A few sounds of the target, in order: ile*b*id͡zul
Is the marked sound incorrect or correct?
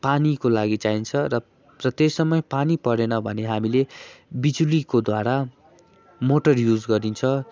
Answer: correct